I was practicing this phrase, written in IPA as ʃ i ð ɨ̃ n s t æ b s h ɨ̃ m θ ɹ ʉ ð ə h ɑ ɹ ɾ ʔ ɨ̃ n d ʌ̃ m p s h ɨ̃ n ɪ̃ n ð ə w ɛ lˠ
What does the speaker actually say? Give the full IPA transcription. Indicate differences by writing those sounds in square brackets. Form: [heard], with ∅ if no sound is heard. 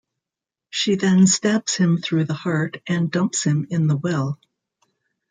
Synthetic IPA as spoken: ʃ i ð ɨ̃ n s t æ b s h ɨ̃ m θ ɹ ʉ ð ə h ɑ ɹ ɾ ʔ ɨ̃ n d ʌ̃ m p s h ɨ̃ [m] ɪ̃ n ð ə w ɛ lˠ